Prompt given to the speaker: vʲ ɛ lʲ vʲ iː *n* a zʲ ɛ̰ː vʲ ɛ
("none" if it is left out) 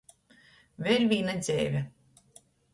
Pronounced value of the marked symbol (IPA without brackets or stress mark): n